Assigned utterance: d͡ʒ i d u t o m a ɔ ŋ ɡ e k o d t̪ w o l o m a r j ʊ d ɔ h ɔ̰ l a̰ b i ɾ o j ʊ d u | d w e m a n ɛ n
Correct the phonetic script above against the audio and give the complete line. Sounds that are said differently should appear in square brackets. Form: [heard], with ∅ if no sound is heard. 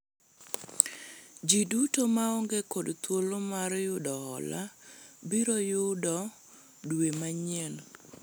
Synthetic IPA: d͡ʒ i d u t o m a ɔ ŋ ɡ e k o d t̪ w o l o m a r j ʊ d ɔ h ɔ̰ l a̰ b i ɾ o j ʊ d [ɔ] | d w e m a [ɲ] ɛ n